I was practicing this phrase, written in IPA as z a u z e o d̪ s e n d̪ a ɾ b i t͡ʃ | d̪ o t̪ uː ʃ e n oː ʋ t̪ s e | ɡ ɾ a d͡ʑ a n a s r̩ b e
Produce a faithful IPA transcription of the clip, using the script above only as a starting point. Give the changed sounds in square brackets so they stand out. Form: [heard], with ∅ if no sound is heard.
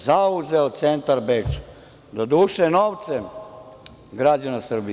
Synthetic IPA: z a u z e o [t̪] s e n [t̪] a ɾ b [e] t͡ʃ | d̪ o [d̪] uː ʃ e n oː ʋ t̪ s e | ɡ ɾ a d͡ʑ a n a s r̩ b [i]